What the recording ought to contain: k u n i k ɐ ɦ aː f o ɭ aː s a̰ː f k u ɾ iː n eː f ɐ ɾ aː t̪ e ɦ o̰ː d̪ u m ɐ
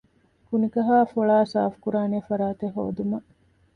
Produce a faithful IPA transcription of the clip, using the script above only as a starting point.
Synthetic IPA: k u n i k ɐ ɦ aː f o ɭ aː s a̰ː f k u ɾ aː n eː f ɐ ɾ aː t̪ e ɦ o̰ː d̪ u m ɐ